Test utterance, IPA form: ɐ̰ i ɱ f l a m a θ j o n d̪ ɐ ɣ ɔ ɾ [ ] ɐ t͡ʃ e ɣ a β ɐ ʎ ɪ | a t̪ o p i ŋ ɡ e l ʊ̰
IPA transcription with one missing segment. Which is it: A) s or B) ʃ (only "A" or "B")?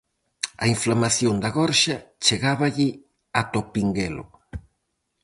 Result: B